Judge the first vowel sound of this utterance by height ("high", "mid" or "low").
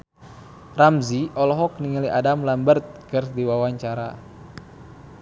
low